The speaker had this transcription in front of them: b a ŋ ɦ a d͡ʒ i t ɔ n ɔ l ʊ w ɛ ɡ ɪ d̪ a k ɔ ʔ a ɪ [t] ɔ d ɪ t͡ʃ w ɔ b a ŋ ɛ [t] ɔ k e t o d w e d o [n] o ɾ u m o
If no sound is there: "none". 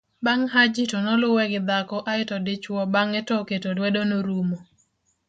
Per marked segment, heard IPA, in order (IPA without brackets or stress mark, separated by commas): t, t, n